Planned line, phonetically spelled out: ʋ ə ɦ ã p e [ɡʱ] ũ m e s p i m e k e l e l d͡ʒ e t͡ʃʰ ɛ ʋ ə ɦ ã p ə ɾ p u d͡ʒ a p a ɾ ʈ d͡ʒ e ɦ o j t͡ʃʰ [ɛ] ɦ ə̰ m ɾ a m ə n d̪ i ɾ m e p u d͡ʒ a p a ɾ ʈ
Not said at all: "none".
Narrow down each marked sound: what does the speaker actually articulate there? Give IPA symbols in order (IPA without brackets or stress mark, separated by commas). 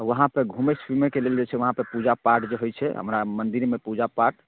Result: ɡʱ, ɛ